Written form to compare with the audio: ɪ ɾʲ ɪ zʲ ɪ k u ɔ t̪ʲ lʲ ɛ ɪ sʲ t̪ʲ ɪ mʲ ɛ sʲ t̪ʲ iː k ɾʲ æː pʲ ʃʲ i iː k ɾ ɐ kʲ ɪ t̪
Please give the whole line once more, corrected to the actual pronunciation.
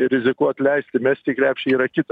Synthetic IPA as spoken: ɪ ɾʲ ɪ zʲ ɪ k u ɔ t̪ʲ lʲ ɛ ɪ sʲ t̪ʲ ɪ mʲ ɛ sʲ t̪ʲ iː k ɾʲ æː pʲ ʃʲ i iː ɾ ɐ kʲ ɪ t̪